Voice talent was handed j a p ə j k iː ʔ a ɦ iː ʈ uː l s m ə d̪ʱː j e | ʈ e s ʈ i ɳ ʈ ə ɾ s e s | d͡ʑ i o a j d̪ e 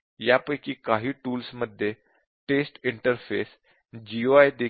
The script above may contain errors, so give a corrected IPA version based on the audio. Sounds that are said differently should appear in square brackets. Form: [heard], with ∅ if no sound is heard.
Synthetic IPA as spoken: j a p ə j k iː [k] a ɦ iː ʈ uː l s m ə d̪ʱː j e | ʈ e s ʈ i ɳ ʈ ə ɾ [f] e s | d͡ʑ i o a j d̪ e